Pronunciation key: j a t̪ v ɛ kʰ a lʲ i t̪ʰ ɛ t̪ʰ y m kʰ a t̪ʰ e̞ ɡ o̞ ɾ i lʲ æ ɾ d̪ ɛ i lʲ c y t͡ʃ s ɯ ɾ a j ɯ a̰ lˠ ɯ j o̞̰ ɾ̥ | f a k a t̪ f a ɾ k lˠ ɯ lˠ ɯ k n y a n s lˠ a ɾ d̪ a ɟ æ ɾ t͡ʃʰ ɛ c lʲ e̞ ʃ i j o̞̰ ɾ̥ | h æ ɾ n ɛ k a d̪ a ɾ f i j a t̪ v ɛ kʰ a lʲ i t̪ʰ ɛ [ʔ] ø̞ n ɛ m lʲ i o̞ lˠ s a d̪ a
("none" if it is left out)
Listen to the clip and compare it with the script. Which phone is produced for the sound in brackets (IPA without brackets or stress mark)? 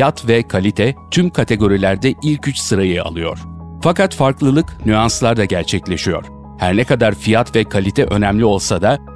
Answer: ʔ